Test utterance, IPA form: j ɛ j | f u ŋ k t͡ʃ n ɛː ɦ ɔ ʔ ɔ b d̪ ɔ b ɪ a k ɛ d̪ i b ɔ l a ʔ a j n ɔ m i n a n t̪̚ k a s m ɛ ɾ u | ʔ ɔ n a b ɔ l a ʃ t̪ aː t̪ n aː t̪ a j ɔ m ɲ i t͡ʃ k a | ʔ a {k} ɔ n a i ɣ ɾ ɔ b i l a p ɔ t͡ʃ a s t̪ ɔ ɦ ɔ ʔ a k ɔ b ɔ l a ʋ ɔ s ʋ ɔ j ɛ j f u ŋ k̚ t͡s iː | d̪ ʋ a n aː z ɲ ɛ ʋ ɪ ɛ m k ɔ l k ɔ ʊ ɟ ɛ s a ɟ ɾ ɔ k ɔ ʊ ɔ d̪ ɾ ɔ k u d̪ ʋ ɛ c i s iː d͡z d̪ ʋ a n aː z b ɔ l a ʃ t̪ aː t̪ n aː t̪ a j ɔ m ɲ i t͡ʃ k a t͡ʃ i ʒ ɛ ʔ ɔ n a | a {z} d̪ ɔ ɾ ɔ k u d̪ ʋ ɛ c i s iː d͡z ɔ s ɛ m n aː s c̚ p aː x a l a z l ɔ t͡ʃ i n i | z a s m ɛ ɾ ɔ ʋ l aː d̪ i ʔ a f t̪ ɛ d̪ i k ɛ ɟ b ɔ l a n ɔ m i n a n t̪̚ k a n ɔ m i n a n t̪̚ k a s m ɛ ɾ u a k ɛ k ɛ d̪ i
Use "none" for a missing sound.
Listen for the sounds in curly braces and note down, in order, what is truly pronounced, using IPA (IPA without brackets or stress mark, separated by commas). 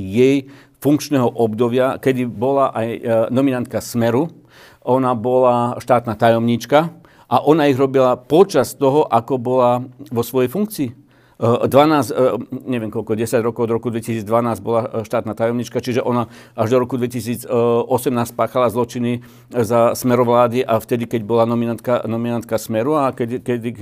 ʔ, ʒ